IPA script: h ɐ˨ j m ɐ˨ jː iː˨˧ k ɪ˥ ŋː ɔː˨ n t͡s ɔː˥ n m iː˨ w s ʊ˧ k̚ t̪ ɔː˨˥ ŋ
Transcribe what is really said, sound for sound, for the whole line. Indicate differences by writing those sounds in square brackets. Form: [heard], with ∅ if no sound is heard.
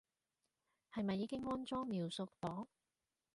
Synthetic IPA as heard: h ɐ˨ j m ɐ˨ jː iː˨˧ k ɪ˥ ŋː [ɔː˥] n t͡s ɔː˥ [ŋ] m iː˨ w s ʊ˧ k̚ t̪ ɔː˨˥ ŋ